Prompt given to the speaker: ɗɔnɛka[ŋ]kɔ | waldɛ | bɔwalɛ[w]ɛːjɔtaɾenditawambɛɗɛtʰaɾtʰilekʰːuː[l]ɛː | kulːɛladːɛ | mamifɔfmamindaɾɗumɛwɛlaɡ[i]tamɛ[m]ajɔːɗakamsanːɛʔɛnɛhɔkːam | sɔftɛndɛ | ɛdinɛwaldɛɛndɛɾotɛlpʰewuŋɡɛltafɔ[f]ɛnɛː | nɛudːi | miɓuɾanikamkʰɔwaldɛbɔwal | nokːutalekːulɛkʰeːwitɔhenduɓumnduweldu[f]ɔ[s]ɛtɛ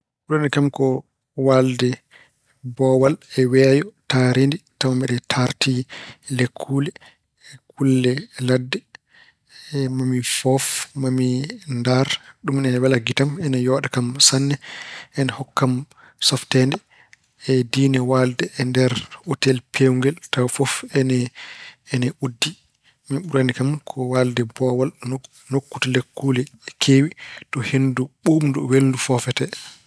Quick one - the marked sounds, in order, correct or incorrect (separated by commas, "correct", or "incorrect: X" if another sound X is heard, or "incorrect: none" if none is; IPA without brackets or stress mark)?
incorrect: m, correct, correct, correct, incorrect: n, correct, correct, incorrect: f